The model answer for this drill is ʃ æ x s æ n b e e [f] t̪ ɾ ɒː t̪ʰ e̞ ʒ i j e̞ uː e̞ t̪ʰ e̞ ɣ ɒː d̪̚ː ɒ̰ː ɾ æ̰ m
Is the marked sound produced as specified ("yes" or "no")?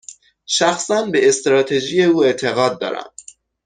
no